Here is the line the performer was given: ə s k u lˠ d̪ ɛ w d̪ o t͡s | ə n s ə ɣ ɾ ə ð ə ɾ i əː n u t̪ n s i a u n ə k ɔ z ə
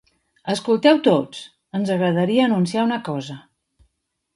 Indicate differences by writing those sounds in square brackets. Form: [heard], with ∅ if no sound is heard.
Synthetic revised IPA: ə s k u lˠ [t̪] ɛ w [t̪] o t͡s | ə n [z] ə ɣ ɾ ə ð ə ɾ i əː n u [∅] n s i a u n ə k ɔ z ə